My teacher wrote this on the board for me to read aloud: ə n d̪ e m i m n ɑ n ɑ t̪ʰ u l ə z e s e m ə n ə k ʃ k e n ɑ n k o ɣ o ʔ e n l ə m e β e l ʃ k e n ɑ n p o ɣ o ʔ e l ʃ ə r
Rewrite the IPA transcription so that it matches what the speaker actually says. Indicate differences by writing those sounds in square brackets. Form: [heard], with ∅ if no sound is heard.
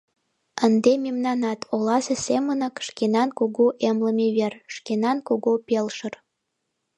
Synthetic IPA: ə n d̪ e m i m n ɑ n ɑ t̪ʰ [o] l [ɑ] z e s e m ə n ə k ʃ k e n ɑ n k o ɣ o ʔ e [m] l ə m e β e [r] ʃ k e n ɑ n [k] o ɣ o [p] e l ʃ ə r